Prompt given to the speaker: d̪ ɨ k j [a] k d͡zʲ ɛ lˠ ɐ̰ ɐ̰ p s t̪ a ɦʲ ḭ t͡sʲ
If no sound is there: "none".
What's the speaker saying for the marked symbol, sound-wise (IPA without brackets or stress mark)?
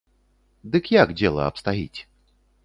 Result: a